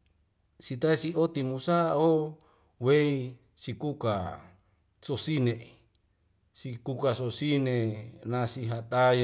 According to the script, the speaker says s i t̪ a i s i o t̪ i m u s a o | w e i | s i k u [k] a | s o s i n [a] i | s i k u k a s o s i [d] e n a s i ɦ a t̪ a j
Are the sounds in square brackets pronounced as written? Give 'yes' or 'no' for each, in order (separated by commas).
yes, no, no